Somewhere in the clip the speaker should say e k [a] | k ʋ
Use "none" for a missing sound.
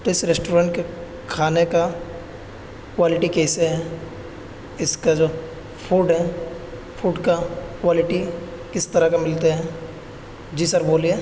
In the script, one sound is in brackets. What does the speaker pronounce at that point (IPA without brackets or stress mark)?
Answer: a